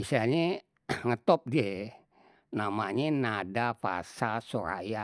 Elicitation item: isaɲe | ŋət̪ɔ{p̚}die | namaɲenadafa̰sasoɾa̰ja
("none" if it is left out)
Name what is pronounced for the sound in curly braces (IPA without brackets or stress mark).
p̚